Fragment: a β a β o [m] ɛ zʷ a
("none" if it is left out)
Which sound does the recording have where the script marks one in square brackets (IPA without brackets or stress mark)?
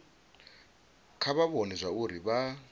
n